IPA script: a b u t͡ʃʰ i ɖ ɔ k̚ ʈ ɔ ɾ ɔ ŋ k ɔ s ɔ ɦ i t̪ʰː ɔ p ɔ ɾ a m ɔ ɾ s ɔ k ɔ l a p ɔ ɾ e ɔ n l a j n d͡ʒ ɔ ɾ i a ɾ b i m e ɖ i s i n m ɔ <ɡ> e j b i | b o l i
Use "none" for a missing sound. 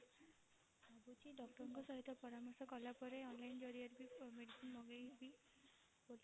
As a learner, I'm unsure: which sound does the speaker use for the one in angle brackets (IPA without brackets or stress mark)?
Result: ɡ